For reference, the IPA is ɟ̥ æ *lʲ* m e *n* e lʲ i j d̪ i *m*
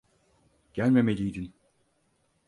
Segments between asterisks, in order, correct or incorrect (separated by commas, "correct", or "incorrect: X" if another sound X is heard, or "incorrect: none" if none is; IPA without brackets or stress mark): correct, incorrect: m, incorrect: n